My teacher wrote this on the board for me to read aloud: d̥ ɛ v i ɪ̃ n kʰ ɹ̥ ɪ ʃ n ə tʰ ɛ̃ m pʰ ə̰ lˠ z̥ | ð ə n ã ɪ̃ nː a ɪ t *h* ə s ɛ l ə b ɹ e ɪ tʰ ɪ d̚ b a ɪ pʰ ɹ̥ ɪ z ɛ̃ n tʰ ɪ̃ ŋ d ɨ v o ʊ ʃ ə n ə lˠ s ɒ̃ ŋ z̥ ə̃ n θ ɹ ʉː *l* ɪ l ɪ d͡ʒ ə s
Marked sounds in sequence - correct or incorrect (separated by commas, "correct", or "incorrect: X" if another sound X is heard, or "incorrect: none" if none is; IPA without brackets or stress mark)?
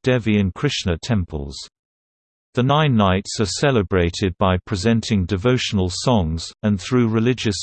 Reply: incorrect: s, incorrect: ɹ